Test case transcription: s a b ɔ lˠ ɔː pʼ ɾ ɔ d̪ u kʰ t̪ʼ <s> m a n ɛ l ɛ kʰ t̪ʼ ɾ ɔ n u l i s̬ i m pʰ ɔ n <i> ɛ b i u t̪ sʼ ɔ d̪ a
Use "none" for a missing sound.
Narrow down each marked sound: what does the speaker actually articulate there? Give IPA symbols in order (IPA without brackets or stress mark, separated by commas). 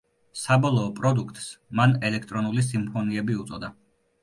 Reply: s, i